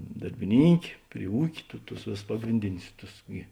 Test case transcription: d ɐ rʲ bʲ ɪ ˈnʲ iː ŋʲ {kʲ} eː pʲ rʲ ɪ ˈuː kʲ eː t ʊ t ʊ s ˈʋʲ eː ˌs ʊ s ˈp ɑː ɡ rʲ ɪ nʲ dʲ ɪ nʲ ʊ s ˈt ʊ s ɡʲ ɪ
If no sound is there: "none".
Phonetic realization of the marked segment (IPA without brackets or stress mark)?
kʲ